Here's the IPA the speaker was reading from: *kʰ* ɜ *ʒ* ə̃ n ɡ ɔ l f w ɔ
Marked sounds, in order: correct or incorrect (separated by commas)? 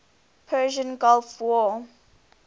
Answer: incorrect, correct